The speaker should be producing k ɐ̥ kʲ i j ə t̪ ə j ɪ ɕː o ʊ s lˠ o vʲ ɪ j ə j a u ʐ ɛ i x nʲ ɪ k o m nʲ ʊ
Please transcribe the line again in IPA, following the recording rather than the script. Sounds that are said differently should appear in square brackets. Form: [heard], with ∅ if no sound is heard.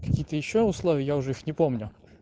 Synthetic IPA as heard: k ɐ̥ kʲ i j ə t̪ ə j ɪ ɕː o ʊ s lˠ o vʲ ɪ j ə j a [ʊ] ʐ ɛ i x nʲ ɪ [p] o m nʲ ʊ

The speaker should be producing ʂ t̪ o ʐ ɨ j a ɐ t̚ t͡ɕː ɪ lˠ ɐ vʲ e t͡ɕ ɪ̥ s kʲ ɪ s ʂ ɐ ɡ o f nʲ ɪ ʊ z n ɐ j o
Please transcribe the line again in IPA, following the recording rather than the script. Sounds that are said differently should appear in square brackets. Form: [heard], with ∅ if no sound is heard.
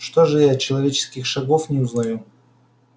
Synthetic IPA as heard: ʂ t̪ o ʐ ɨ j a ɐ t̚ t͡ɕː ɪ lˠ ɐ vʲ e t͡ɕ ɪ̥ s kʲ ɪ [x] ʂ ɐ ɡ o f nʲ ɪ ʊ z n ɐ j [u]

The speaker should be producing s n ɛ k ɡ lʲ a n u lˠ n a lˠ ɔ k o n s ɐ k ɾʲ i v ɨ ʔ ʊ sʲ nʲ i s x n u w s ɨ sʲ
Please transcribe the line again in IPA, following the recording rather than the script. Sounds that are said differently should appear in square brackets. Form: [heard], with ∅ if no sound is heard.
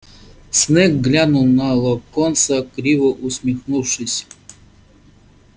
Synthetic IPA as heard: s n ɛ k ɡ lʲ a n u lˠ n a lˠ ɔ k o n s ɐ k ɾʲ i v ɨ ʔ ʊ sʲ [mʲ] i [∅] x n u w [ʂ] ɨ sʲ

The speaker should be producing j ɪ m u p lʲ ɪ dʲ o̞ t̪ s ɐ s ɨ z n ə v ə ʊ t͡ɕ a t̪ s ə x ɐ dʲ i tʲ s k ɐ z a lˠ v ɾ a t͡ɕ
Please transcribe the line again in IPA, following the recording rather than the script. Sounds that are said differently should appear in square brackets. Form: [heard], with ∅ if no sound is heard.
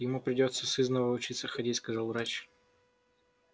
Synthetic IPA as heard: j ɪ m u p [ɾʲ] ɪ dʲ o̞ t̪ s [ə] s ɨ z n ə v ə ʊ t͡ɕ [i] t̪ s ə x ɐ dʲ i tʲ s k ɐ z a lˠ v ɾ a t͡ɕ

